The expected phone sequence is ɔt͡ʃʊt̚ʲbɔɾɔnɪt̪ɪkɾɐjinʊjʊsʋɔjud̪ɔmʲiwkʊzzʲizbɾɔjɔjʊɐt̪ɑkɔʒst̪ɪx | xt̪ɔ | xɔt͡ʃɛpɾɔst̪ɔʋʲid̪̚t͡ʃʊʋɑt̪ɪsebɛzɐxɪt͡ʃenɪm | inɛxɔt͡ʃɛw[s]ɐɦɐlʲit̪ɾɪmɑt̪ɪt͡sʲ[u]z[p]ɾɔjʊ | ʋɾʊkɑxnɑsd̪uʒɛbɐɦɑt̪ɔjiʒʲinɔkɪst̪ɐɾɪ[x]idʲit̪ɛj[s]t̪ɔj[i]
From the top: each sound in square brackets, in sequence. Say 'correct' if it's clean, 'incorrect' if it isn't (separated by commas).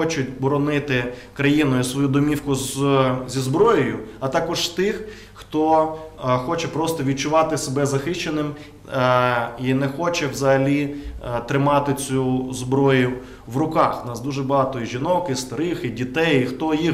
incorrect, correct, incorrect, correct, incorrect, correct